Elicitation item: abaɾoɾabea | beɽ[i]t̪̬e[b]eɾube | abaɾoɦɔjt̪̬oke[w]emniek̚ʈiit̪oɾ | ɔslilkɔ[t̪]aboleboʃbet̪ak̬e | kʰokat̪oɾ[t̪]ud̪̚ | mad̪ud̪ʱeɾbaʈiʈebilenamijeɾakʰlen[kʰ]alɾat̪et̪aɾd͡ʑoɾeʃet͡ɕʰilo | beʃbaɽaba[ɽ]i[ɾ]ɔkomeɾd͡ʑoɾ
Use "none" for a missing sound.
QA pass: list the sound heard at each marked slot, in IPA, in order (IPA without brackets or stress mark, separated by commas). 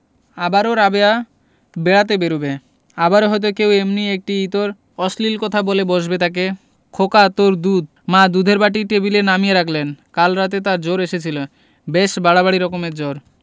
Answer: a, b, w, t̪ʰ, d̪, k, ɽ, ɾ